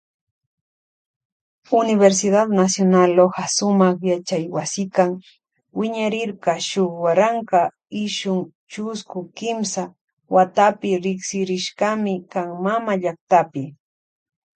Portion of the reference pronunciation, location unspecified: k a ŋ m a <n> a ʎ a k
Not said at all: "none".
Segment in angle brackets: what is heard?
m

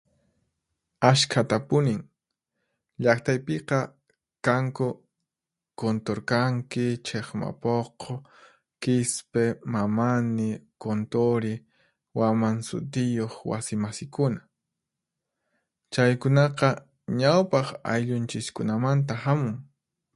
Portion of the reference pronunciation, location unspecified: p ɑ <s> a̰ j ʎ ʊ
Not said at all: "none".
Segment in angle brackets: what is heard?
χ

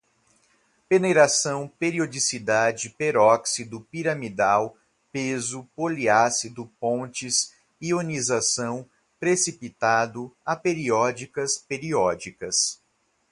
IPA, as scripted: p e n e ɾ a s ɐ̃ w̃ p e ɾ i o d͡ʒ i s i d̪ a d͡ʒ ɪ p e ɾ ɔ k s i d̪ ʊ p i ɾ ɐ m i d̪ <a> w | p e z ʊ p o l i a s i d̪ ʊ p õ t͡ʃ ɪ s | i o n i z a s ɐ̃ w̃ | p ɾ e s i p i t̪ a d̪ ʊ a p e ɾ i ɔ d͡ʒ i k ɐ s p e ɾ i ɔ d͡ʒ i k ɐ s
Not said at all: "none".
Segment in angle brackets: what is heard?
a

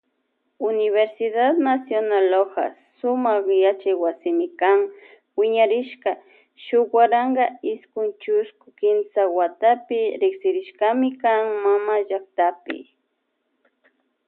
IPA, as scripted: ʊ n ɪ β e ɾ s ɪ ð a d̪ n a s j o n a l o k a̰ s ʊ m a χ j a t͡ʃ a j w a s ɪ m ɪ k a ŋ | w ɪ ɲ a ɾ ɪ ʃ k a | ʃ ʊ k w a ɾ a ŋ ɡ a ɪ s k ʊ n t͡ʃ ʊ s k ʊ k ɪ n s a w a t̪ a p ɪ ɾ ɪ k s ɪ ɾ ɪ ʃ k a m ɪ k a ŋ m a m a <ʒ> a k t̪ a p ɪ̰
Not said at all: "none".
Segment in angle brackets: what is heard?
ʒ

